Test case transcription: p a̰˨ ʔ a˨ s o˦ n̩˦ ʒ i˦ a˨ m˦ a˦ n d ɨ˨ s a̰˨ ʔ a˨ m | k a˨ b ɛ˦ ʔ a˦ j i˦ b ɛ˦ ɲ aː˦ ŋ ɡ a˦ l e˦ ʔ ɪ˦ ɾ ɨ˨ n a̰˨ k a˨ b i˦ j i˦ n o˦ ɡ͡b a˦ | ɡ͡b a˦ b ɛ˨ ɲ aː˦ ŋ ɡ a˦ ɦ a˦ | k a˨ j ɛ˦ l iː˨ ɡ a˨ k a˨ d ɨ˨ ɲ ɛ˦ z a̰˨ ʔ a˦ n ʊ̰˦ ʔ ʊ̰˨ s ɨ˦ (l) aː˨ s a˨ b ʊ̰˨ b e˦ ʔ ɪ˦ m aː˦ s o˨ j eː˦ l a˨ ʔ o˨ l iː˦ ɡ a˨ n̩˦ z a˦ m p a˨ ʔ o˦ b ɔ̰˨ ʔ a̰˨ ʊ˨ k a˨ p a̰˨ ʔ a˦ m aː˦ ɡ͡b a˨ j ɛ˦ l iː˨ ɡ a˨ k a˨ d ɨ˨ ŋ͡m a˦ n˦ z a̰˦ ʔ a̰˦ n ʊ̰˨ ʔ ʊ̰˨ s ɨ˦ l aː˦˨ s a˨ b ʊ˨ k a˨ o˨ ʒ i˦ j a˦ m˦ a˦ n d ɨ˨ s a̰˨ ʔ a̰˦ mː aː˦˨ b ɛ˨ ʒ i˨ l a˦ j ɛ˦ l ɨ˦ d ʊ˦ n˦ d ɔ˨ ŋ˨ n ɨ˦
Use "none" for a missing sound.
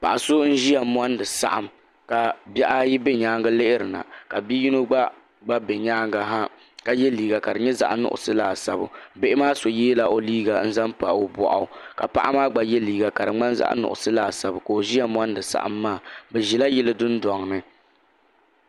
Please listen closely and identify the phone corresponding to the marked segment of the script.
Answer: l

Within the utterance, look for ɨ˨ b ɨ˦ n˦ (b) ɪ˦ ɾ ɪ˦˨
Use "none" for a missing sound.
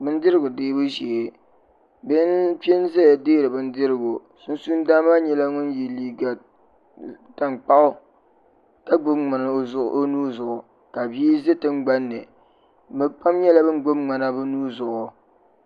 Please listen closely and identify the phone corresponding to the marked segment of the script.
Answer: d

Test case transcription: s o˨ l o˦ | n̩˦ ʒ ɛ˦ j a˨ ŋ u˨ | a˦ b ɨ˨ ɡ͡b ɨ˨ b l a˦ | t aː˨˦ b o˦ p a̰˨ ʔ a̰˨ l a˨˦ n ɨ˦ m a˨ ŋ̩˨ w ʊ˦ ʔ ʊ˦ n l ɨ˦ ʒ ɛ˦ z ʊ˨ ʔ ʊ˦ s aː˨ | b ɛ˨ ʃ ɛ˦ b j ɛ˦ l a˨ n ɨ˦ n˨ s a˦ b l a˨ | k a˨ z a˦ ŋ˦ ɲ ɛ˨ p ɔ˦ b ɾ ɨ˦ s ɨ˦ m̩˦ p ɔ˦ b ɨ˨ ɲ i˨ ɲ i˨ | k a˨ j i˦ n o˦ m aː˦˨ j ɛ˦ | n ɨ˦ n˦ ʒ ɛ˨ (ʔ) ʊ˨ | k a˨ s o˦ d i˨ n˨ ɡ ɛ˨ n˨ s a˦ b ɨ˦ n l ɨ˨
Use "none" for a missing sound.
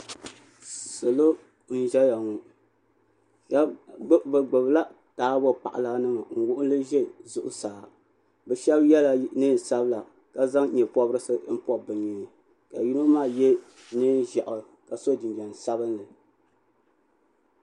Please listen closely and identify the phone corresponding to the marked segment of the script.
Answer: ʔ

